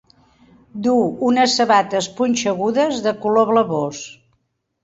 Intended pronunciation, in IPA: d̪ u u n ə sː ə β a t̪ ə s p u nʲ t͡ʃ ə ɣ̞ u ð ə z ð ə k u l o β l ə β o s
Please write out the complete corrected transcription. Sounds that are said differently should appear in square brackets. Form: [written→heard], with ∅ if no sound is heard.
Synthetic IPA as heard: d̪ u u n ə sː ə β a t̪ ə s p u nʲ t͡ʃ ə ɣ̞ u ð ə z ð ə k u l o β l ə β o s